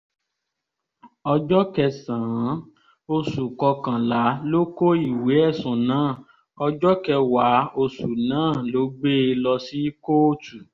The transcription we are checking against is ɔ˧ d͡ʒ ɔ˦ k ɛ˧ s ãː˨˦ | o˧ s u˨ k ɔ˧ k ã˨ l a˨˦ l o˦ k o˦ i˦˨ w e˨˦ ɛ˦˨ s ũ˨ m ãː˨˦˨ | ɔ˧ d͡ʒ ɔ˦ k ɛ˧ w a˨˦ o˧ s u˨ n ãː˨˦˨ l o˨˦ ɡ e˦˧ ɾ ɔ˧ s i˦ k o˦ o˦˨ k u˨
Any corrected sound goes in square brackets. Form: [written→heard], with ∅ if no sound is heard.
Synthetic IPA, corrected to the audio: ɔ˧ d͡ʒ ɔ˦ k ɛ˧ s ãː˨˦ | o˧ s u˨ k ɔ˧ k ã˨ l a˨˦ l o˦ k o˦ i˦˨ w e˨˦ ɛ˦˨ s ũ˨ [m→n] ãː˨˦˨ | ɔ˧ d͡ʒ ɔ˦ k ɛ˧ w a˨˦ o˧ s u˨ n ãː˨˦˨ l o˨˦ [ɡ→ɡ͡b] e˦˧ [ɾ→l] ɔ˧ s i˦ k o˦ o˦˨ [k→t] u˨